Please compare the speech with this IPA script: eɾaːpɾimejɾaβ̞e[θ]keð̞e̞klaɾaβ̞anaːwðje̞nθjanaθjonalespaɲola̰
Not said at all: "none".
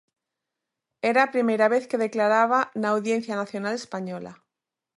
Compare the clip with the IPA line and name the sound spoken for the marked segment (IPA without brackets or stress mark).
θ